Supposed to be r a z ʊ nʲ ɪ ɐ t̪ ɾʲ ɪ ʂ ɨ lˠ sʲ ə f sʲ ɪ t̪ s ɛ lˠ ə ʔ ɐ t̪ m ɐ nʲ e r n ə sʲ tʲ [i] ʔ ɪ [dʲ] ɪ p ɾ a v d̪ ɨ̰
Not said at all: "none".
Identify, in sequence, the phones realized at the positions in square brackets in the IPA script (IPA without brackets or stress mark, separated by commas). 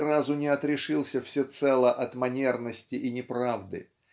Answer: ɪ, nʲ